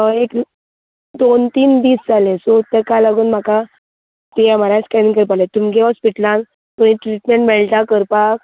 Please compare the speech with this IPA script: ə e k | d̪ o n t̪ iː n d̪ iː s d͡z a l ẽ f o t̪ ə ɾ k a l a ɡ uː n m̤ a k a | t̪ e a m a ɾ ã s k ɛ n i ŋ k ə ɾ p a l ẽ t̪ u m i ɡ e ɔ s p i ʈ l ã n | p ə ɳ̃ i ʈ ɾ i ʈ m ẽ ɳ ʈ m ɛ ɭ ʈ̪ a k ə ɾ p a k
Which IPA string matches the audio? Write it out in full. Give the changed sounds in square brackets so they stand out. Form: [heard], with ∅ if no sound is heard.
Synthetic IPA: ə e k | d̪ o n t̪ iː n d̪ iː s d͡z a l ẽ [s] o t̪ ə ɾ k a l a ɡ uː n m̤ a k a | t̪ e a m a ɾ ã s k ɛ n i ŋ k ə ɾ p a l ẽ t̪ u m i ɡ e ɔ s p i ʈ l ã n | p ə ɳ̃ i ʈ ɾ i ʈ m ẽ ɳ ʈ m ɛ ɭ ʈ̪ a k ə ɾ p a k